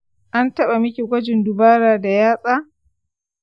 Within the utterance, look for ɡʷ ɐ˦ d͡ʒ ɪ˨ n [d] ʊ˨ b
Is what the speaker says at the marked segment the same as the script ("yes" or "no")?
yes